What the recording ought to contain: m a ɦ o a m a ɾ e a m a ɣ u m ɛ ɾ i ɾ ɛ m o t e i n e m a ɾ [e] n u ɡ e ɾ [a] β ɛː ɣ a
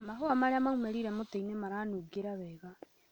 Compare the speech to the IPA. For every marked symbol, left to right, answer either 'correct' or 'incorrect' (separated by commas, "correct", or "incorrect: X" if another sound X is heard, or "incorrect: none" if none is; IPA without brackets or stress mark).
incorrect: a, correct